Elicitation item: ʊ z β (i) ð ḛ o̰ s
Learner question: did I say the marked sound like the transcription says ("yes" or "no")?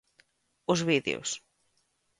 yes